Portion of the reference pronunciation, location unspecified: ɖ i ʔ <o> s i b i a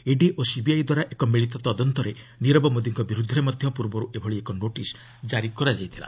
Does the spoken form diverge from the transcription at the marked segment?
no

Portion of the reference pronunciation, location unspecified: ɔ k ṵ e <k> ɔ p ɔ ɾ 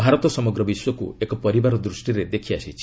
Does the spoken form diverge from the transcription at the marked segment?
no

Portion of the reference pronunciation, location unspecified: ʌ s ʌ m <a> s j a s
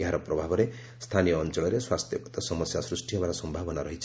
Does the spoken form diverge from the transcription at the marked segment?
yes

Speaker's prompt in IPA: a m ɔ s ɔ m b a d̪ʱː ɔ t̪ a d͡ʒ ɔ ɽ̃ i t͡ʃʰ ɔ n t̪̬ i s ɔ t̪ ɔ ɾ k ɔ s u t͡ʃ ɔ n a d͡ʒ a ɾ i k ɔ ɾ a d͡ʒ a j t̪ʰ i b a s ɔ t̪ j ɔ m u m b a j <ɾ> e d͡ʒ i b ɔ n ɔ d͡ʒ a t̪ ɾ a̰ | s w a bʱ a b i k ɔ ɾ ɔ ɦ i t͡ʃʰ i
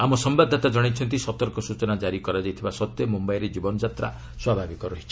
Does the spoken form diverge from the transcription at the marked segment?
no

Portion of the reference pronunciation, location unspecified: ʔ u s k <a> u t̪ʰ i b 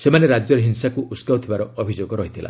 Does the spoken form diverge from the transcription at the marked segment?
no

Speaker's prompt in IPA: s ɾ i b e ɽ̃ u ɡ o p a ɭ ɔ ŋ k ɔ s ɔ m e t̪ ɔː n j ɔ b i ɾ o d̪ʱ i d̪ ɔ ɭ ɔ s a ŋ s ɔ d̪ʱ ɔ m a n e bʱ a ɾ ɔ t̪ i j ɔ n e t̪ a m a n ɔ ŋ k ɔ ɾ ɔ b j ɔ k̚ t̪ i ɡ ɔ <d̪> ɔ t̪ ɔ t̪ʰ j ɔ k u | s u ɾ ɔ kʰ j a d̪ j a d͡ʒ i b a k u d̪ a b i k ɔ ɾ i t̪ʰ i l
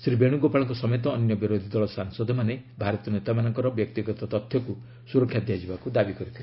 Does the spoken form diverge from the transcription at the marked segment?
yes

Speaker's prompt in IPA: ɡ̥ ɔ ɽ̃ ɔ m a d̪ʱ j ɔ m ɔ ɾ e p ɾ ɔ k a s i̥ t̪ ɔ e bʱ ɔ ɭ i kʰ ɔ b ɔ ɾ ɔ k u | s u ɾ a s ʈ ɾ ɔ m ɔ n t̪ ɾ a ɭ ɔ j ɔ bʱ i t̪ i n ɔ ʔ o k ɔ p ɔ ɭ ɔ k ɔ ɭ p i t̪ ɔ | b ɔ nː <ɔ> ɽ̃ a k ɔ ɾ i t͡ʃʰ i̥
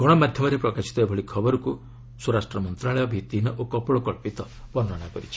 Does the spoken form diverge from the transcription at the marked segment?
no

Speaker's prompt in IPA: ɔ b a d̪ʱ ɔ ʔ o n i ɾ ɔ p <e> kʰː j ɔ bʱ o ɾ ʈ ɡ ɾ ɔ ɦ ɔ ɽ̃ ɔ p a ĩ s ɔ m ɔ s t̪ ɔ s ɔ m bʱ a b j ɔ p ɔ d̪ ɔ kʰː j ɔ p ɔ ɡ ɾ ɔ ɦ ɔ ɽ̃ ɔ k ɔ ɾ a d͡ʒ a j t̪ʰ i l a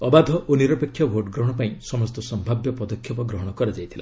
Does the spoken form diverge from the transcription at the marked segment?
no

